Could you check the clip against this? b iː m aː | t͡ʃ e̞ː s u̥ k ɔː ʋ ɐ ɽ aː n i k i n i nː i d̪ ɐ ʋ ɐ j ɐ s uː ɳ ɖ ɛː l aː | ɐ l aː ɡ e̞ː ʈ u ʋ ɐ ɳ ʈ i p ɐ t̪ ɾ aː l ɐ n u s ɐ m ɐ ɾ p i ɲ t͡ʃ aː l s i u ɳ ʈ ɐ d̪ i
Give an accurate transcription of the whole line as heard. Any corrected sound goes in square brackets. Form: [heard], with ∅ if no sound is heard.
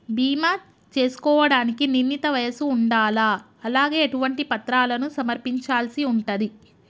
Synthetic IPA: b iː m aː | t͡ʃ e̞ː s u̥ k ɔː ʋ ɐ ɽ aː n i k i n i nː i [t̪] ɐ ʋ ɐ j ɐ s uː ɳ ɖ [aː] l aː | ɐ l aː ɡ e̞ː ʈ u ʋ ɐ ɳ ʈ i p ɐ t̪ ɾ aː l ɐ n u s ɐ m ɐ ɾ p i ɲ t͡ʃ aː l s i u ɳ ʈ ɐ d̪ i